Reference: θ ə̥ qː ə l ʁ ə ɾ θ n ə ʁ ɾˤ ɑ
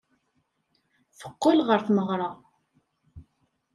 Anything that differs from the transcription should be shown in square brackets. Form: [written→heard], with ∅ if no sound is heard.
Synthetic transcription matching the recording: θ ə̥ qː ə l ʁ ə ɾ θ [n→m] ə ʁ ɾˤ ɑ